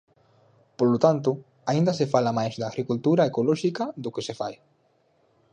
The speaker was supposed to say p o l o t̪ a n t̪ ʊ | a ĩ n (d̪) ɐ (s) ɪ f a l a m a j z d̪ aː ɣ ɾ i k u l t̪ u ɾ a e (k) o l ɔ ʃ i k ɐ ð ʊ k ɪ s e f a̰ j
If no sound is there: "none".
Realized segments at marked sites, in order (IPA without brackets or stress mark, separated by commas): d̪, s, k